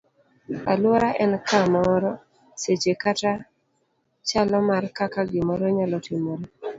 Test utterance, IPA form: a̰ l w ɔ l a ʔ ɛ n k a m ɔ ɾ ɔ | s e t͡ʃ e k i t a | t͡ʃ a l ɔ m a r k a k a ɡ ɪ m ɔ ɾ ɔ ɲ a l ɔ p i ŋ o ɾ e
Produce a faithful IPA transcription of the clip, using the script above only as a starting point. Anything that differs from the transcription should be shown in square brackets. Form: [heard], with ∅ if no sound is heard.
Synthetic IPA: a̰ l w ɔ [ɾ] a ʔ ɛ n k a m ɔ ɾ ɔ | s e t͡ʃ e k [a] t a | t͡ʃ a l ɔ m a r k a k a ɡ ɪ m ɔ ɾ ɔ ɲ a l ɔ [t] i [m] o ɾ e